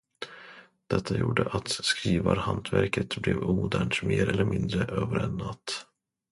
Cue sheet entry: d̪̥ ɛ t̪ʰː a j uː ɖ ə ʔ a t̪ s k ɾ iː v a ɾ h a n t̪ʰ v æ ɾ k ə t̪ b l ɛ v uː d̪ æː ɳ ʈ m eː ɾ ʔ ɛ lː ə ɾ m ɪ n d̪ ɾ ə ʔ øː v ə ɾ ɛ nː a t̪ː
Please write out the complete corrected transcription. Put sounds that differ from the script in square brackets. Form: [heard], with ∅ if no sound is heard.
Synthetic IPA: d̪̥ ɛ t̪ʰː a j uː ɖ ə ʔ a t̪ s k ɾ iː v a ɾ h a n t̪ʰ v æ ɾ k ə t̪ b l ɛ v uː d̪ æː ɳ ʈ m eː ɾ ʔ ɛ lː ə ɾ m ɪ n d̪ ɾ ə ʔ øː v ə ɾ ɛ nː a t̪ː